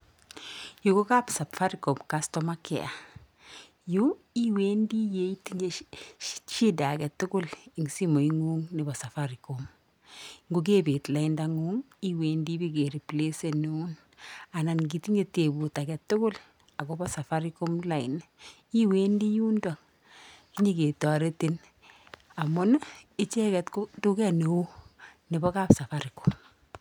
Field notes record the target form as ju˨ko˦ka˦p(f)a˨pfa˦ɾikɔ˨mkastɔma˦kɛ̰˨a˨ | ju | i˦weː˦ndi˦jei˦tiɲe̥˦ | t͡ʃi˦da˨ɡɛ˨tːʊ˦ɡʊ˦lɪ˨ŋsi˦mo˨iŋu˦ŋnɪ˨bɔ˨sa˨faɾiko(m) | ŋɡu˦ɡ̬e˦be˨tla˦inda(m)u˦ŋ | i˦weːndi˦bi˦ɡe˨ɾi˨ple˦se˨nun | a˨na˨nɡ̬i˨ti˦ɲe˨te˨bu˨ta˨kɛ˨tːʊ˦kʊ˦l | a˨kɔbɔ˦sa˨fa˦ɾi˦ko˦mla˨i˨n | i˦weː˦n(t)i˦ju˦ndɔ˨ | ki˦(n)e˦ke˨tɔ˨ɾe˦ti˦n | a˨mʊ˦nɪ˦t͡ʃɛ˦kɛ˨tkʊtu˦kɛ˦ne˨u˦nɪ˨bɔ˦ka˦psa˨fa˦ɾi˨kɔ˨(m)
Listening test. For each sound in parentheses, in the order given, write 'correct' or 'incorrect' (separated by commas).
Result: incorrect, correct, incorrect, incorrect, incorrect, correct